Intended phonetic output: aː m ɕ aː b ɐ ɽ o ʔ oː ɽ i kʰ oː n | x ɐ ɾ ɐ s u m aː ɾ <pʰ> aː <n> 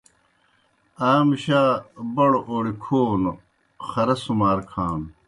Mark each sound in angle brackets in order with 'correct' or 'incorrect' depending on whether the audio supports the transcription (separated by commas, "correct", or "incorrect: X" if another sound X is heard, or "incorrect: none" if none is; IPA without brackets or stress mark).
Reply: incorrect: kʰ, correct